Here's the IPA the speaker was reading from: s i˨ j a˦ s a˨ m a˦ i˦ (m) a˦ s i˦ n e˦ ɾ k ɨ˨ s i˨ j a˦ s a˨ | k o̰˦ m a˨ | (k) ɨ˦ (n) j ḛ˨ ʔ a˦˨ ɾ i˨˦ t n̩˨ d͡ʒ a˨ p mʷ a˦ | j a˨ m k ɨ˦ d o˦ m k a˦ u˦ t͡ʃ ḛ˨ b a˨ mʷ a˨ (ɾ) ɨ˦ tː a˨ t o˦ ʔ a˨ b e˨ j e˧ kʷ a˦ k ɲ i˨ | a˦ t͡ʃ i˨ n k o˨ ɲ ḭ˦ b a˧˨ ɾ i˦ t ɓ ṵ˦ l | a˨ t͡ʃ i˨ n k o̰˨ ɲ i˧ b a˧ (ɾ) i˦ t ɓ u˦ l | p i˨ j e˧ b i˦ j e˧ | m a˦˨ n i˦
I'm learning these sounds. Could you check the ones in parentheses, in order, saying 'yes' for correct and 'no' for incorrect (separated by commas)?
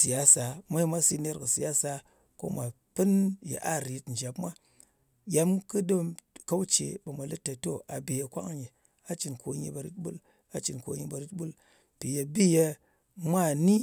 yes, no, yes, no, yes